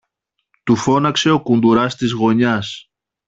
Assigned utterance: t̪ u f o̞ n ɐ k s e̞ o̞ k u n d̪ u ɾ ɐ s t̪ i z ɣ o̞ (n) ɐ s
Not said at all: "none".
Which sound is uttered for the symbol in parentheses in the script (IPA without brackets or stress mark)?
ɲ